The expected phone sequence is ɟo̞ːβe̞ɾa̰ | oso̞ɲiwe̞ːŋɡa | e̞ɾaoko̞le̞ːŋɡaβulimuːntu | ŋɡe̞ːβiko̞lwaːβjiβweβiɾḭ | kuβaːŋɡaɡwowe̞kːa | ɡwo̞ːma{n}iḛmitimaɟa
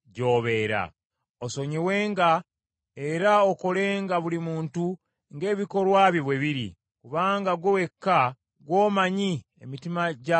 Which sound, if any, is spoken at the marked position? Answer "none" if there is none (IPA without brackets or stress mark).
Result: ɲ